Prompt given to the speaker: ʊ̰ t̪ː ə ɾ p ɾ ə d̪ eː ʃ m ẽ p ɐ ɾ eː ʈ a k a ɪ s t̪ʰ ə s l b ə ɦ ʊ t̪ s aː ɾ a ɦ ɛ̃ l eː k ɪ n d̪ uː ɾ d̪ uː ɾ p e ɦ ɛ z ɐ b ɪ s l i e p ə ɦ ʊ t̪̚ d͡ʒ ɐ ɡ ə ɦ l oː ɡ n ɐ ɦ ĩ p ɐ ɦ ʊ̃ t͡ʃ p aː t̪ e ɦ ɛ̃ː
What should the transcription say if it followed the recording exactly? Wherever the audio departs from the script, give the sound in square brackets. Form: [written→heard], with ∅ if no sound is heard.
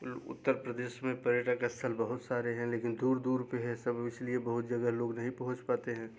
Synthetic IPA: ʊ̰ t̪ː ə ɾ p ɾ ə d̪ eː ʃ m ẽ p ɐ ɾ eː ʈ a k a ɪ s t̪ʰ ə [s→∅] l b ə ɦ ʊ t̪ s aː ɾ [a→e] ɦ ɛ̃ l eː k ɪ n d̪ uː ɾ d̪ uː ɾ p e ɦ ɛ [z→s] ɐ b ɪ s l i e [p→b] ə ɦ ʊ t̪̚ d͡ʒ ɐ ɡ ə ɦ l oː ɡ n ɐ ɦ ĩ p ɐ ɦ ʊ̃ t͡ʃ p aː t̪ e ɦ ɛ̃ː